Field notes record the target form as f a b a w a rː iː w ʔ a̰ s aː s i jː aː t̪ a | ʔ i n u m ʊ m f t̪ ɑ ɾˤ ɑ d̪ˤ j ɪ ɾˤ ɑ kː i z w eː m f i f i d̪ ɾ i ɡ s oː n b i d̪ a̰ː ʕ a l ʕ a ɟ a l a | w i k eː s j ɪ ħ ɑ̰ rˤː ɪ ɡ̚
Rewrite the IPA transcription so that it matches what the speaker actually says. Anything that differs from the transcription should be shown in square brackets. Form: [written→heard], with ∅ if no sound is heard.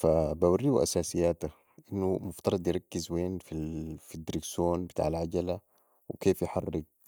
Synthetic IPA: f a b a w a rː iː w ʔ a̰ s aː s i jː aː t̪ a | ʔ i [n→nː] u m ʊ [m→∅] f t̪ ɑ ɾˤ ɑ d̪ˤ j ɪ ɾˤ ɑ kː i z w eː [m→n] f i f i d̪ ɾ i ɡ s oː n b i [d̪→t̪] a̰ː ʕ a l ʕ a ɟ a l a | w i k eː [s→f] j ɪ ħ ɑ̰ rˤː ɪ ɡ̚